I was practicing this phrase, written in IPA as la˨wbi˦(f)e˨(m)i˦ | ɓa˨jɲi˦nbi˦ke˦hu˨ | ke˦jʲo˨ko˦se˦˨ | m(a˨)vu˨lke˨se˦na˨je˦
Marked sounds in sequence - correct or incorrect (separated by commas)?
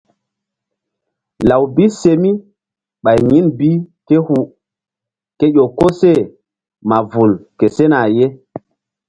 incorrect, correct, correct